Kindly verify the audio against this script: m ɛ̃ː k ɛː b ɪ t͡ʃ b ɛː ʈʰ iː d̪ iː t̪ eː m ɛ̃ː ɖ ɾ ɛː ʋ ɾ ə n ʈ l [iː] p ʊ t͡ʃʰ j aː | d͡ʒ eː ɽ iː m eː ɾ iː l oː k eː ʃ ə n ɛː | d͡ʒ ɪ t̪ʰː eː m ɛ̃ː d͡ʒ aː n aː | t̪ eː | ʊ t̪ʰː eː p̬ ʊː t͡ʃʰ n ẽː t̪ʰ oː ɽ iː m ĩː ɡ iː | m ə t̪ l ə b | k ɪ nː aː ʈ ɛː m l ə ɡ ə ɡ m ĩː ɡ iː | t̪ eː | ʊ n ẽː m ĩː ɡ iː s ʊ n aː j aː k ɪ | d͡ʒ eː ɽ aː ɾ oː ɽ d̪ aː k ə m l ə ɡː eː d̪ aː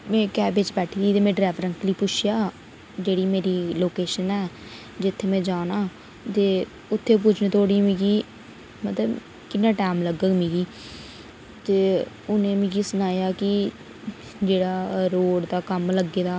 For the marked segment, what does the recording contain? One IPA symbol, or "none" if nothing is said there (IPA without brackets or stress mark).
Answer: iː